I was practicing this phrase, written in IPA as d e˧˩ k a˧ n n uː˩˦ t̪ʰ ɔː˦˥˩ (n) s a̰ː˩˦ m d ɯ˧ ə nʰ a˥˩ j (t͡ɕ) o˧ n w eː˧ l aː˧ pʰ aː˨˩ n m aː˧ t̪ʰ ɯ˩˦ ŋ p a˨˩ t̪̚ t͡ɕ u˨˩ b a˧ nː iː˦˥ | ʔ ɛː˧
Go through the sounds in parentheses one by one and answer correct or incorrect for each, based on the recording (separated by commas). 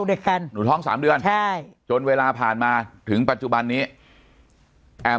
incorrect, correct